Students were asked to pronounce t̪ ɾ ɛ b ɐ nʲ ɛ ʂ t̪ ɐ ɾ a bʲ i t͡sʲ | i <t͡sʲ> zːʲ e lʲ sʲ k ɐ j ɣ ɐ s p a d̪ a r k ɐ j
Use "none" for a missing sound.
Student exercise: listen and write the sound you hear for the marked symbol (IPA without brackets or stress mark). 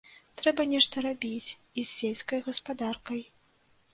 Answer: none